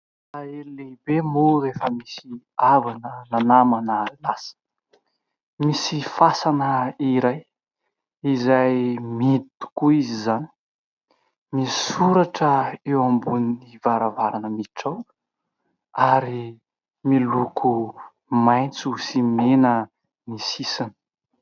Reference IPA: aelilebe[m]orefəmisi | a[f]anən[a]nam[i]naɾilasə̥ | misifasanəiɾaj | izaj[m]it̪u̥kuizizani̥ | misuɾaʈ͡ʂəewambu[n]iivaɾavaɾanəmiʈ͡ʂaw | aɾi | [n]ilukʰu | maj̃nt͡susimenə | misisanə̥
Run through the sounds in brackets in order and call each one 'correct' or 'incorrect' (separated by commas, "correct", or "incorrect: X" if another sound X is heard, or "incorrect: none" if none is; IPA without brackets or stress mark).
correct, incorrect: v, correct, incorrect: a, correct, correct, incorrect: m